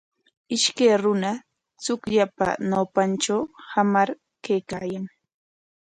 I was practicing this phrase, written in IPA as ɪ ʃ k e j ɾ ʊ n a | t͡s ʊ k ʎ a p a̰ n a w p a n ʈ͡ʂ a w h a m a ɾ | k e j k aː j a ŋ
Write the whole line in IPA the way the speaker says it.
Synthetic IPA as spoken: ɪ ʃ k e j ɾ ʊ n a | t͡s ʊ k ʎ a p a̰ n a w p a n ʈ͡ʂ a w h a m a ɾ | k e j k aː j a ŋ